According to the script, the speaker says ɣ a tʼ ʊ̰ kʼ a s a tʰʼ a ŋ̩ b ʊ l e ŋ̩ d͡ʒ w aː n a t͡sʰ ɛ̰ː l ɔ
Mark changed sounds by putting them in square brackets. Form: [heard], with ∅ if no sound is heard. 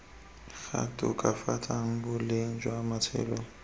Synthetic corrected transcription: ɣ a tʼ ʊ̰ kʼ a [f] a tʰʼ a ŋ̩ b ʊ l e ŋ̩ d͡ʒ w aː [m] a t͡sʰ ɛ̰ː l ɔ